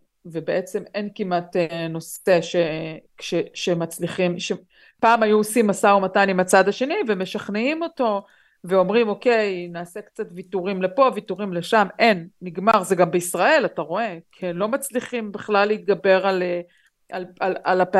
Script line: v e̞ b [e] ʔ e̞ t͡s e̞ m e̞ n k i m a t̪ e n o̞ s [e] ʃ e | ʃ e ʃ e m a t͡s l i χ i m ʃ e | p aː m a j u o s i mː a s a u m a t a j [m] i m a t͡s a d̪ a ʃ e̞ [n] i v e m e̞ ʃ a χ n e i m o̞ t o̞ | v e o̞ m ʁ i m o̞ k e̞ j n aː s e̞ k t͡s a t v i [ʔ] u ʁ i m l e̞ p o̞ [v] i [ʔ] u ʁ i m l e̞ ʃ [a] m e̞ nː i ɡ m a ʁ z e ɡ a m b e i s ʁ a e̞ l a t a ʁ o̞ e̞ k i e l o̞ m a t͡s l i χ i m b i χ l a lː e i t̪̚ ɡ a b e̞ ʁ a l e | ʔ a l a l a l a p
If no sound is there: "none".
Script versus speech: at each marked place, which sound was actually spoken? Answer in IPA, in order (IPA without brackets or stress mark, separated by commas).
e, e, n, n, t, v, t, a